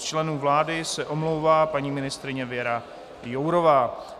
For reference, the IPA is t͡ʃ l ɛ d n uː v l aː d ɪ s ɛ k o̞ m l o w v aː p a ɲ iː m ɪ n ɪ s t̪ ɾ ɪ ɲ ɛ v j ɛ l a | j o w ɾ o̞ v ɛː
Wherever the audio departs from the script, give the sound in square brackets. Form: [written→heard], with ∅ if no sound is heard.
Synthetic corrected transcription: t͡ʃ l ɛ [d→∅] n uː v l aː d ɪ s ɛ [k→ʔ] o̞ m l o w v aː p a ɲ iː m ɪ n ɪ s t̪ ɾ ɪ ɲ ɛ v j ɛ [l→ɾ] a | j o w ɾ o̞ v [ɛː→aː]